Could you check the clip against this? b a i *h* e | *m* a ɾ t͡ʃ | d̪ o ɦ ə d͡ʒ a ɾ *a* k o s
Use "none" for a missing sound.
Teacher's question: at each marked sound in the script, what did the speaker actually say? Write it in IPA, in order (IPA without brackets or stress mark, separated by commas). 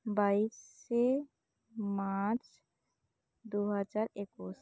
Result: s, m, e